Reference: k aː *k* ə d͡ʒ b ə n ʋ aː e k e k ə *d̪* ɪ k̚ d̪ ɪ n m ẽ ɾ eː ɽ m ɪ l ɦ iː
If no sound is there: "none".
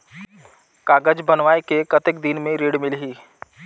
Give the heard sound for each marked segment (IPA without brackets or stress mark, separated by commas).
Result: ɡ, t̪